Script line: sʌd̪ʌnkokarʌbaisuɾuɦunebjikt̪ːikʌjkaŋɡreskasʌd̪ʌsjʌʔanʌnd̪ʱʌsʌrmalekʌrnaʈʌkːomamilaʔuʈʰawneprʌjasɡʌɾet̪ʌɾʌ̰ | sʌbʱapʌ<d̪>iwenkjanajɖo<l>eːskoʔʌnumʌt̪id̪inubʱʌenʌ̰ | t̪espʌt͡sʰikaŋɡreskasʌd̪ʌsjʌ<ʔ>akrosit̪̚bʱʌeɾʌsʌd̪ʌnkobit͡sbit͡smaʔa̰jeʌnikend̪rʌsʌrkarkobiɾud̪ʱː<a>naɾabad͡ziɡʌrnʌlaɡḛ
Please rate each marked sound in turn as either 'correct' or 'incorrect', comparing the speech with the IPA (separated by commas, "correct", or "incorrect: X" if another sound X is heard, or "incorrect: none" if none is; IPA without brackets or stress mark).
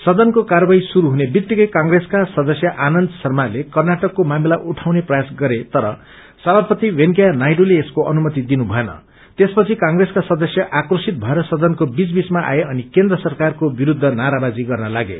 incorrect: t̪, correct, correct, incorrect: ʌ